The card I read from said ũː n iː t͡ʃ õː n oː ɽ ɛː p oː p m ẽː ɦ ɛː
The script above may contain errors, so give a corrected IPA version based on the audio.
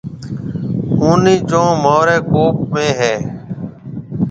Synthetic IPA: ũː n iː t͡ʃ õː m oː ɾ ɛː k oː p m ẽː ɦ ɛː